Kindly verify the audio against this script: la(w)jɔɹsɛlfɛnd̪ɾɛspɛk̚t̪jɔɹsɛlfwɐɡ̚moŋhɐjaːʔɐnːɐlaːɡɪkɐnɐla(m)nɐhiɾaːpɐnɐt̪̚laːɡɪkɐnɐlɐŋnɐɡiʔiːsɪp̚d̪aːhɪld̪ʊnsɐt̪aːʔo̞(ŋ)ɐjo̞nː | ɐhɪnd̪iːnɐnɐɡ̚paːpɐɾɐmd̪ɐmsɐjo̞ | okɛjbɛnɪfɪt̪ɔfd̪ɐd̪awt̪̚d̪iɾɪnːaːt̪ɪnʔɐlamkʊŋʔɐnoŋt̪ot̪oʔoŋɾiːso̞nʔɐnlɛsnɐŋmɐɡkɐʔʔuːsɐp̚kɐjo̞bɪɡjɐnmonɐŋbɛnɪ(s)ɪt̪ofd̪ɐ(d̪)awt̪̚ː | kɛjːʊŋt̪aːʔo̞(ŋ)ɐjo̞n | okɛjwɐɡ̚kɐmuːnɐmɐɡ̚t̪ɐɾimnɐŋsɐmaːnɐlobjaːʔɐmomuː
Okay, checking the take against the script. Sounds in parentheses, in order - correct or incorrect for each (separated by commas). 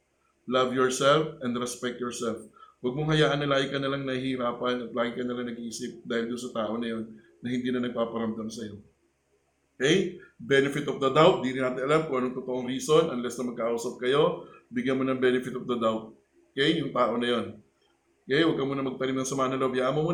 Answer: incorrect, incorrect, incorrect, incorrect, correct, incorrect